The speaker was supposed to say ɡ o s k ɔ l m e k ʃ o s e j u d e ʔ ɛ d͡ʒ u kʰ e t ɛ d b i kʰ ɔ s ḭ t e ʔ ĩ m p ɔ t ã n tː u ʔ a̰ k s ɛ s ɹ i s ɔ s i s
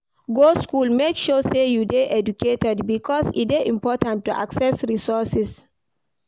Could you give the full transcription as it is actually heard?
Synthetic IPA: ɡ o s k u l m e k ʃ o s e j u d e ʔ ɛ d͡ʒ u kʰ e t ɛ d b i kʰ ɔ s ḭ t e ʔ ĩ m p ɔ t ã n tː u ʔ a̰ k s ɛ s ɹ i s ɔ s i s